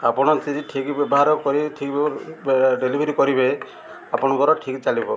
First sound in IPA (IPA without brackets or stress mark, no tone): a